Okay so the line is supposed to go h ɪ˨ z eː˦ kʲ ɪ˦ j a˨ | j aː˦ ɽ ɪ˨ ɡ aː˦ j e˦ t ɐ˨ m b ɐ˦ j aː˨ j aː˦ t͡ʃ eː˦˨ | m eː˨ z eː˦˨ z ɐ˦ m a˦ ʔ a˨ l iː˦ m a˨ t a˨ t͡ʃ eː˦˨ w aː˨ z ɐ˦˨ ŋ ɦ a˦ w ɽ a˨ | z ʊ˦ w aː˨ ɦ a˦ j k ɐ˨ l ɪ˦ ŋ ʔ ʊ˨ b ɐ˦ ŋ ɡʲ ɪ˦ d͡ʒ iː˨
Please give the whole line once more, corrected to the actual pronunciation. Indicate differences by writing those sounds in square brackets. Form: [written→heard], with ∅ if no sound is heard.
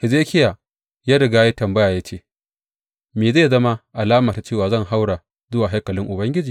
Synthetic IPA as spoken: h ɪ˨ z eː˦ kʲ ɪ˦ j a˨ | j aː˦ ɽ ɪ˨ ɡ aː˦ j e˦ t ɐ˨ m b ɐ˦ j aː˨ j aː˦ t͡ʃ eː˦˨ | m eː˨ z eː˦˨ z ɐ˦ m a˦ ʔ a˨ l [iː˦→aː˦] m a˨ t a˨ t͡ʃ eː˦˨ w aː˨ z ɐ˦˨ ŋ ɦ a˦ w ɽ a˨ | z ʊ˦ w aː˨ ɦ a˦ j k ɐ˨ l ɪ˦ ŋ ʔ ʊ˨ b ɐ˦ ŋ ɡʲ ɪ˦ d͡ʒ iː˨